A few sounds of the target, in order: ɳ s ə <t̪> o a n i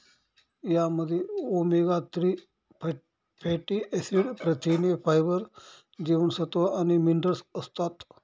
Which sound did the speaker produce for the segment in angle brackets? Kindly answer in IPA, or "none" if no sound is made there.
t̪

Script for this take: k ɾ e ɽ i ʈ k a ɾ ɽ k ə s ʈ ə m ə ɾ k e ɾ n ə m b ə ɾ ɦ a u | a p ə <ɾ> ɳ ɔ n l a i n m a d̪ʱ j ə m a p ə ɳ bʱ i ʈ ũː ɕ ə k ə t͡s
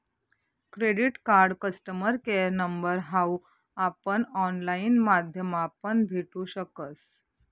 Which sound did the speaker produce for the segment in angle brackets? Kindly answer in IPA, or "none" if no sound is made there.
none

